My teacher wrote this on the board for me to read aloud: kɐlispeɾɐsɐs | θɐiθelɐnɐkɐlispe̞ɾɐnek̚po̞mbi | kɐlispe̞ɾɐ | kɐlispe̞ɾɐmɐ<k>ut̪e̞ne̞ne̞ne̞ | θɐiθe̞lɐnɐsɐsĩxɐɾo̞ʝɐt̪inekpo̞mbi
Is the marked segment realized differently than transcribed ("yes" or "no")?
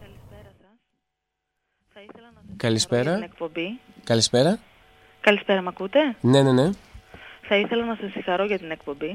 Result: no